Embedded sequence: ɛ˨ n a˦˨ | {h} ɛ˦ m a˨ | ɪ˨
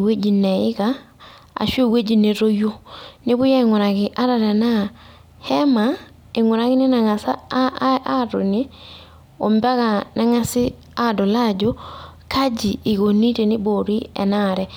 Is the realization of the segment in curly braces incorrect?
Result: no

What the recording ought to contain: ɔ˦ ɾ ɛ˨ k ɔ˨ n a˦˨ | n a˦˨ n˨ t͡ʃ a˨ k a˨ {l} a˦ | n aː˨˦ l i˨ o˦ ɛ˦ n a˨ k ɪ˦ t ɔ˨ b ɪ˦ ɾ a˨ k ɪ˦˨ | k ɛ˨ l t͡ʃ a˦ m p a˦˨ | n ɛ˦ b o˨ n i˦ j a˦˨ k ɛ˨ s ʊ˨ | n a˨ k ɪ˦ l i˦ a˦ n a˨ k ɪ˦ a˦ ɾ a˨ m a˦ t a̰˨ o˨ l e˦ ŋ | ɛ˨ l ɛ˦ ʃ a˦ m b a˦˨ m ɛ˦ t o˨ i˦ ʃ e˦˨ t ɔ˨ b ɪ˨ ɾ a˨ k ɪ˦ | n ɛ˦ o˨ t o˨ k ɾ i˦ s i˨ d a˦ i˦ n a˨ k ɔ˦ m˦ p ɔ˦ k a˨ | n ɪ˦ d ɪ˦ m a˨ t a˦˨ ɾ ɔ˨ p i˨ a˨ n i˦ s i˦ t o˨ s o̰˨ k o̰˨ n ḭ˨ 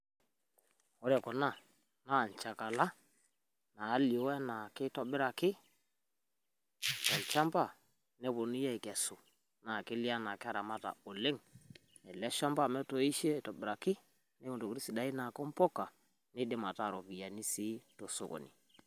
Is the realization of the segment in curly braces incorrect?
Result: no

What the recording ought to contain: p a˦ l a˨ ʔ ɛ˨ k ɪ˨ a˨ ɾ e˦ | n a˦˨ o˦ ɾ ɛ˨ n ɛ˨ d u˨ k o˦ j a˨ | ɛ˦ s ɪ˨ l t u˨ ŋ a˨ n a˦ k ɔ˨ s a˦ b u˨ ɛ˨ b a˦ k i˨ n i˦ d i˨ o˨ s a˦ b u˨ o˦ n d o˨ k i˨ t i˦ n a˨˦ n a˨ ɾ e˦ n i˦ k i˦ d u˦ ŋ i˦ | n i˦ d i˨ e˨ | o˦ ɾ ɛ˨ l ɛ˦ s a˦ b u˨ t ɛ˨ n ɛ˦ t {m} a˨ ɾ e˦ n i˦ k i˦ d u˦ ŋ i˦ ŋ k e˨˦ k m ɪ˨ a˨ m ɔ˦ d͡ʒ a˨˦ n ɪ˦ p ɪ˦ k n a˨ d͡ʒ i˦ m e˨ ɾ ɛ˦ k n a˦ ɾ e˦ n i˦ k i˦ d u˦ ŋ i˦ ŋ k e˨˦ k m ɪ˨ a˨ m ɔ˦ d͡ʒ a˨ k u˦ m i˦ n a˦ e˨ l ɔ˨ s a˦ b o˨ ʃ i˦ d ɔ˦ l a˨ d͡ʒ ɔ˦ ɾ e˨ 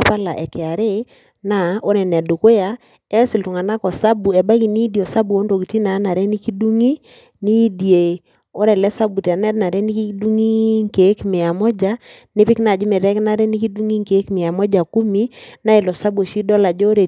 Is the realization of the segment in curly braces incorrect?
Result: yes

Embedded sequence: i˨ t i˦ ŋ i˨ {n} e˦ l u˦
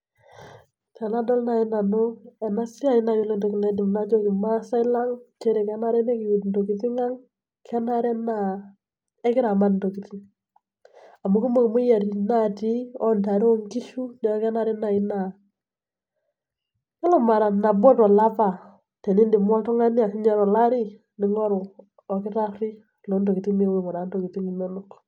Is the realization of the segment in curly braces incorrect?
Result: yes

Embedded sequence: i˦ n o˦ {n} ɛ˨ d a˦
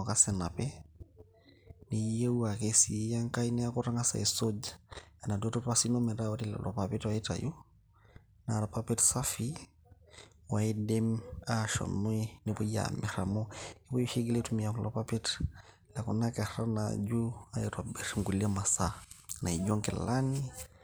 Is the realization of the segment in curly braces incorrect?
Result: yes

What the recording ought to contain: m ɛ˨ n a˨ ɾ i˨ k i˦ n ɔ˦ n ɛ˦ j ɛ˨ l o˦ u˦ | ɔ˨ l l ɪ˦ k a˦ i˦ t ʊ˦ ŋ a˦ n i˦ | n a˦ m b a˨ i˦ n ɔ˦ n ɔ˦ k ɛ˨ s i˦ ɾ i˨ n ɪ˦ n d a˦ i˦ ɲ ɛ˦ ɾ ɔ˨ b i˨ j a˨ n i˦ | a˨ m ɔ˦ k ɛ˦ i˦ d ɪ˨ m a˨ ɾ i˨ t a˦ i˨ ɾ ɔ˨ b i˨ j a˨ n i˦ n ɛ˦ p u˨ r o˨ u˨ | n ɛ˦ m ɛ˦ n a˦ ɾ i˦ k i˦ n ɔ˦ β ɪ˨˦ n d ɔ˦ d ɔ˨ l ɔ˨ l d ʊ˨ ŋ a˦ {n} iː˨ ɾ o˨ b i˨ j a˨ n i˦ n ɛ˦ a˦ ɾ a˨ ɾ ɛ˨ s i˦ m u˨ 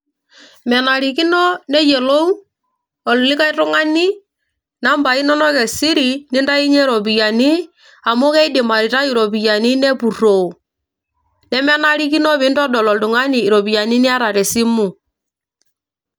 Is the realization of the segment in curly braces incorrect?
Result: no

